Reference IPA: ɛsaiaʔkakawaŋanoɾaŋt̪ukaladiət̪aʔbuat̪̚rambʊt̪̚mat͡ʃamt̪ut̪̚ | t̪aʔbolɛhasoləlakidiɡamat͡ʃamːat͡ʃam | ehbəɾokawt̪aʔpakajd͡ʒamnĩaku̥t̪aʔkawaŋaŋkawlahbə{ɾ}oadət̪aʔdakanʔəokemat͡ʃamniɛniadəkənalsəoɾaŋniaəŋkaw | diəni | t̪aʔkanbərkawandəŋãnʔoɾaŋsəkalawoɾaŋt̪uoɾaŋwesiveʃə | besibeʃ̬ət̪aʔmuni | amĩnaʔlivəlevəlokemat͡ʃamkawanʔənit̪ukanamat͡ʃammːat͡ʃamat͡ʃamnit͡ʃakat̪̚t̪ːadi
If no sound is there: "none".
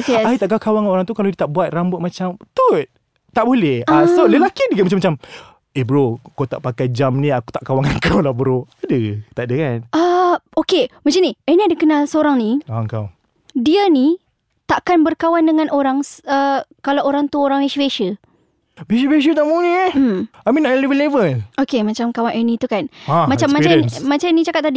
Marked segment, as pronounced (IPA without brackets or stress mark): ɾ